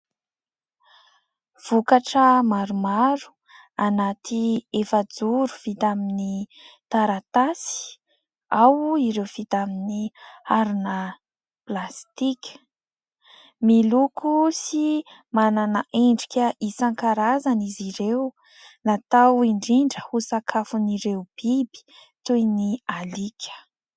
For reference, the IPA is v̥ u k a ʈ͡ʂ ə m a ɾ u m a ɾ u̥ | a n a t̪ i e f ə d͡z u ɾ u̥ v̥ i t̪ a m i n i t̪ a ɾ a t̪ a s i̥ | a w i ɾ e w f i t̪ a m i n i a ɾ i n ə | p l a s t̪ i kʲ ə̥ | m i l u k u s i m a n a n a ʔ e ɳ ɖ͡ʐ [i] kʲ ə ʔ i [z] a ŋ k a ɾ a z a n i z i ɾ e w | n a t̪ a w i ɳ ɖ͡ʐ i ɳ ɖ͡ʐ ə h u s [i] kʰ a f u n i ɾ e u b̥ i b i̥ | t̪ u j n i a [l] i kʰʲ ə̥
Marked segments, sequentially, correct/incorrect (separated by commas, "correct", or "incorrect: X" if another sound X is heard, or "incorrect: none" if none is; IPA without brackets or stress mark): correct, incorrect: s, incorrect: a, correct